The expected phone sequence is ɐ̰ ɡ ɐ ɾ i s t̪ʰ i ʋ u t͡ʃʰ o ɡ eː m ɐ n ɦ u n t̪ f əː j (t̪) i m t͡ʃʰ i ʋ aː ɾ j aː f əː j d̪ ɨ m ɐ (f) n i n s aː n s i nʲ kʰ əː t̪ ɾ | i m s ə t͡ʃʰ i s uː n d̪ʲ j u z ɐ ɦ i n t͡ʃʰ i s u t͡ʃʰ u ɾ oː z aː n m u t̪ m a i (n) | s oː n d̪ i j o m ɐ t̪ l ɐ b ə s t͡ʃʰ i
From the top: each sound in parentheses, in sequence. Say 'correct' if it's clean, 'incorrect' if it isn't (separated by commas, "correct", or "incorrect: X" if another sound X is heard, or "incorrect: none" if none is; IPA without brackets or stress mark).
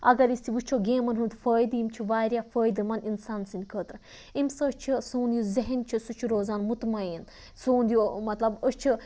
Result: incorrect: d̪, incorrect: none, correct